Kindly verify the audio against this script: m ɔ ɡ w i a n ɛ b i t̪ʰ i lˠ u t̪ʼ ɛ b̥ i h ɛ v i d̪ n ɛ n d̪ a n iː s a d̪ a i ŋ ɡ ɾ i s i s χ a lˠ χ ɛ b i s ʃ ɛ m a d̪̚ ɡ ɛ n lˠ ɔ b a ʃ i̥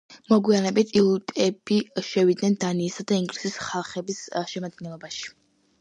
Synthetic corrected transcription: m ɔ ɡ w i a n ɛ b i t̪ʰ i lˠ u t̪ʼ ɛ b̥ i ʃ ɛ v i d̪ n ɛ n d̪ a n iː s a d̪ a i ŋ ɡ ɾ i s i s χ a lˠ χ ɛ b i s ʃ ɛ m a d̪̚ ɡ ɛ n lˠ ɔ b a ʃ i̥